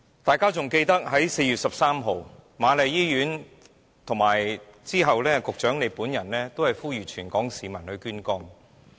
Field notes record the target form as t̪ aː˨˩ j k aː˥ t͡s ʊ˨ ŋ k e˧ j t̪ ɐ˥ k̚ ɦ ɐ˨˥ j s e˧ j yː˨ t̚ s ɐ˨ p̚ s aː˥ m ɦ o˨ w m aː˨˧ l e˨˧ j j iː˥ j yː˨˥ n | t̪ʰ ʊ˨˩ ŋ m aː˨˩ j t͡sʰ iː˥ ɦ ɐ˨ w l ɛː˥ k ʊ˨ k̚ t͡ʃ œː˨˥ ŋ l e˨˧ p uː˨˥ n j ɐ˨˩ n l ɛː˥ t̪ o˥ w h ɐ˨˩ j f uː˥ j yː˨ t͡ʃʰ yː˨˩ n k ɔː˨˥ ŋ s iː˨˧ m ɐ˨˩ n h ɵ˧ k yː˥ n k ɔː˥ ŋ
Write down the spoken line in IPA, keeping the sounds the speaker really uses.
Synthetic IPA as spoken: t̪ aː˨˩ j k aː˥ t͡s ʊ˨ ŋ k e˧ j t̪ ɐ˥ k̚ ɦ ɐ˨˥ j s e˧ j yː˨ t̚ s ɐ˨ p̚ s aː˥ m ɦ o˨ w m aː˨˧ l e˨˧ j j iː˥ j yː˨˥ n | t̪ʰ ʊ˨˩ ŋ m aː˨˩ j t͡s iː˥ ɦ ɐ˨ w l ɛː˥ k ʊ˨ k̚ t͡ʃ œː˨˥ ŋ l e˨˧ p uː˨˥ n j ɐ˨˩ n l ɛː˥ t̪ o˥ w h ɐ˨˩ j f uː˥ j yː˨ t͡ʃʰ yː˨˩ n k ɔː˨˥ ŋ s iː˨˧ m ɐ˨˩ n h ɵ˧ k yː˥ n k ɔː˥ ŋ